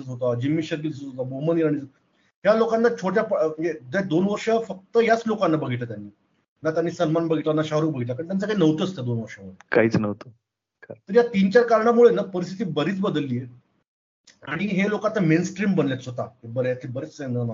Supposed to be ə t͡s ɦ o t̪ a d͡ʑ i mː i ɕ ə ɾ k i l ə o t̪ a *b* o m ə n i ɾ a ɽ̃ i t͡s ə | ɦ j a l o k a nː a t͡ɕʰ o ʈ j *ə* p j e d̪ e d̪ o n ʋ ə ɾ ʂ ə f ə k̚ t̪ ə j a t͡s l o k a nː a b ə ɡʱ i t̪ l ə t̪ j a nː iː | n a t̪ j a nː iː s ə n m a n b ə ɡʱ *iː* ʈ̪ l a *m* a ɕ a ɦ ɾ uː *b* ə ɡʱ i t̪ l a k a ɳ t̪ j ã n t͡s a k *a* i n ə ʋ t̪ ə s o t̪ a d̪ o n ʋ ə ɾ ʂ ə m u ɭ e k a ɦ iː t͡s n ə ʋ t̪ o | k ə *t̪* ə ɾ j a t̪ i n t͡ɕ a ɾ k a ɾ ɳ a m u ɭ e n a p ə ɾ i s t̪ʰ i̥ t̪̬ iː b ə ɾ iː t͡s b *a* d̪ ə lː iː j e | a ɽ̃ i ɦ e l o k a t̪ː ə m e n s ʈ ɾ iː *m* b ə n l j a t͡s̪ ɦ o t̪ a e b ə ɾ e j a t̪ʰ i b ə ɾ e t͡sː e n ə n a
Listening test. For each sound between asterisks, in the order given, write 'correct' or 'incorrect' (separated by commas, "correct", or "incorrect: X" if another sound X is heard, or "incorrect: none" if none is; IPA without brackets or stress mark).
correct, incorrect: a, incorrect: i, incorrect: n, correct, correct, correct, incorrect: ə, correct